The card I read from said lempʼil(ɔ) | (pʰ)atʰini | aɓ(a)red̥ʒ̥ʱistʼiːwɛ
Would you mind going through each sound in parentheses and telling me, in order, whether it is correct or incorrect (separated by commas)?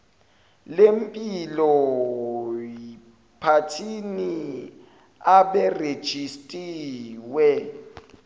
correct, correct, incorrect